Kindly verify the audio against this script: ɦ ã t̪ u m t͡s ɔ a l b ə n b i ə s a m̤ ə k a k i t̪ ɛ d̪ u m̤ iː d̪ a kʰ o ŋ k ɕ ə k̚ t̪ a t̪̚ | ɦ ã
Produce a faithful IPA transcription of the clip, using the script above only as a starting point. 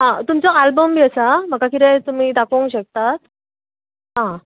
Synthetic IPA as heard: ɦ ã t̪ u m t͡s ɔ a l b ə m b i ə s a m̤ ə k a k i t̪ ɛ t̪ u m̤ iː d̪ a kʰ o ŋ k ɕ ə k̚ t̪ a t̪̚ | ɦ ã